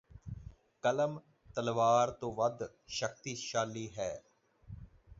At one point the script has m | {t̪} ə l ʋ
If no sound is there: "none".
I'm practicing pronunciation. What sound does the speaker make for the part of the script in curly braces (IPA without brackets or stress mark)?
t̪